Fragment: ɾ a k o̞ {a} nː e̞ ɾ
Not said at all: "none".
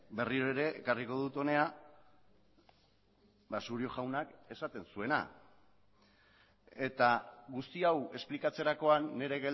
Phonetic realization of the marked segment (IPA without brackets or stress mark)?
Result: a